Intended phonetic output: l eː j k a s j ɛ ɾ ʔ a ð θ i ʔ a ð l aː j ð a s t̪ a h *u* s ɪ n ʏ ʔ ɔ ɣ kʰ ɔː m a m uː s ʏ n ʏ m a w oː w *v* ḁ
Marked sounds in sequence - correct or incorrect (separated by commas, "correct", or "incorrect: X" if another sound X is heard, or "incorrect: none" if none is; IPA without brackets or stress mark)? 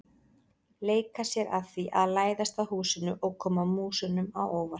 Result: incorrect: uː, correct